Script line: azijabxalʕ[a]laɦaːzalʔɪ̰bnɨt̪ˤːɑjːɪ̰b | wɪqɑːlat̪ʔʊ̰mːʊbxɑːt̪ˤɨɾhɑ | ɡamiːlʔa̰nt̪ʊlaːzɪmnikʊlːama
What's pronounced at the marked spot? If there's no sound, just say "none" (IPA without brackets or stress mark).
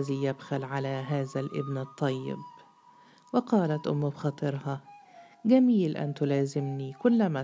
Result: a